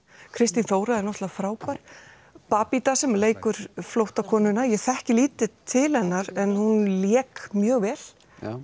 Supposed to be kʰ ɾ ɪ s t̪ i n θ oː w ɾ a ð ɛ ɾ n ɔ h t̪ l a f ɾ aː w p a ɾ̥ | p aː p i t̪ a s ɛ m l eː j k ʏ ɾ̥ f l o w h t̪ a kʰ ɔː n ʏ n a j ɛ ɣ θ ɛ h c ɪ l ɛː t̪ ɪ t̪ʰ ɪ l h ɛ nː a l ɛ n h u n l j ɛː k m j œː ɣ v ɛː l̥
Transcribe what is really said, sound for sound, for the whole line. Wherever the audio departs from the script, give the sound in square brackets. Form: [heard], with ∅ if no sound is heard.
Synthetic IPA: kʰ ɾ ɪ s t̪ i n θ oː w ɾ a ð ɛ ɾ n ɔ h t̪ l a f ɾ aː w p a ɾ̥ | p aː p i t̪ a s ɛ m l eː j k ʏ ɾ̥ f l o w h t̪ a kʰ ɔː n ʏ n a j ɛ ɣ θ ɛ h c ɪ l [iː] t̪ ɪ t̪ʰ ɪ l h ɛ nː a [ɾ] ɛ n h u n l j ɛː k m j œː ɣ v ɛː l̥